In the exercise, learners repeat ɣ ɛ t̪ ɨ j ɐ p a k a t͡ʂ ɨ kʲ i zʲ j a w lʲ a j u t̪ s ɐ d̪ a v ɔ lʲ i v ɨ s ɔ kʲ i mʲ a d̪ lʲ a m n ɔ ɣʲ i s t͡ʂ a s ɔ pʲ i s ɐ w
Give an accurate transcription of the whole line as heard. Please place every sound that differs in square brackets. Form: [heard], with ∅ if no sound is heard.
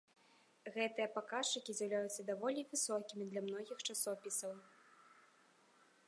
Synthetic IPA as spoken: ɣ ɛ t̪ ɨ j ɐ p a k a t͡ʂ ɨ kʲ i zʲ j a w lʲ a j u t̪ [sː] ɐ d̪ a v ɔ lʲ i v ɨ s ɔ kʲ i mʲ [i] d̪ lʲ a m n ɔ ɣʲ i [x] t͡ʂ a s ɔ pʲ i s ɐ w